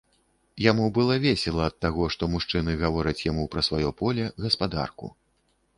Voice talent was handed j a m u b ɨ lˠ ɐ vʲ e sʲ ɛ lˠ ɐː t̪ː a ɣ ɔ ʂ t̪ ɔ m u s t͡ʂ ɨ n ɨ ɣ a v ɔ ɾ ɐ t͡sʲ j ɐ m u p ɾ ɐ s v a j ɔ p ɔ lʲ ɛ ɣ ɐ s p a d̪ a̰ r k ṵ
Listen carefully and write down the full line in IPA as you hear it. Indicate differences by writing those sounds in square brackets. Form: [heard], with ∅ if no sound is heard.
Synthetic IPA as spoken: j a m u b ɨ lˠ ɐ vʲ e sʲ ɛ lˠ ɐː t̪ː a ɣ ɔ ʂ t̪ ɔ m u [ʂ] t͡ʂ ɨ n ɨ ɣ a v ɔ ɾ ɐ t͡sʲ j [a] m u p ɾ ɐ s v a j ɔ p ɔ lʲ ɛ ɣ ɐ s p a d̪ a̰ r k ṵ